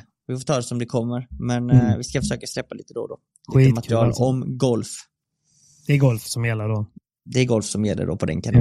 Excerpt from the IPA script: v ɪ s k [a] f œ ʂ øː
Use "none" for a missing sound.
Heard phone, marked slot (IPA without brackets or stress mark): a